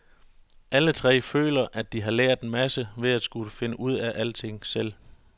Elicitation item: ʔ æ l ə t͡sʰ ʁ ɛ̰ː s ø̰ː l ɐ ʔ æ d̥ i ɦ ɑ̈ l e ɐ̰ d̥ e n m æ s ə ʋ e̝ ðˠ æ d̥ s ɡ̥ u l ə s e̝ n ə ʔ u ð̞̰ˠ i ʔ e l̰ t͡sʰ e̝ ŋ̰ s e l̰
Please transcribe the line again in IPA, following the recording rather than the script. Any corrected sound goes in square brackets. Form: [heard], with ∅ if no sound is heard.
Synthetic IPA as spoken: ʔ æ l ə t͡sʰ ʁ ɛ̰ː [f] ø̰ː l ɐ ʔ æ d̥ i ɦ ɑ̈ l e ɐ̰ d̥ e n m æ s ə ʋ e̝ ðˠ æ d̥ s ɡ̥ u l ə [f] e̝ n ə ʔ u ð̞̰ˠ [æ] ʔ [æ] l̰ t͡sʰ e̝ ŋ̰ s e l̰